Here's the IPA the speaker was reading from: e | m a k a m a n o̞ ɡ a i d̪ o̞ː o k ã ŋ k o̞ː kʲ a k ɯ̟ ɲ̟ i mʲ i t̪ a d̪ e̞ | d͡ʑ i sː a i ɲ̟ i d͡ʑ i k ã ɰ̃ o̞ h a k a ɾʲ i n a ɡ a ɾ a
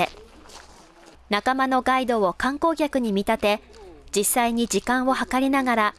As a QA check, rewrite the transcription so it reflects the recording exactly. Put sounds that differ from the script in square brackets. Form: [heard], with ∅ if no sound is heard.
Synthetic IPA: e | [n] a k a m a n o̞ ɡ a i d̪ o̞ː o k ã ŋ k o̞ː kʲ a k ɯ̟ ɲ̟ i mʲ i t̪ a [t̪] e̞ | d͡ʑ i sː a i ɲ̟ i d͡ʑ i k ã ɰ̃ o̞ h a k a ɾʲ i n a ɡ a ɾ a